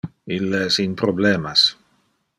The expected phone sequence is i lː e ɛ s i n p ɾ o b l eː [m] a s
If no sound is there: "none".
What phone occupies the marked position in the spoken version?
m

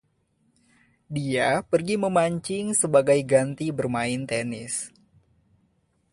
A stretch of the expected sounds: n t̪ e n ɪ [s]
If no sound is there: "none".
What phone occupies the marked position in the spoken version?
s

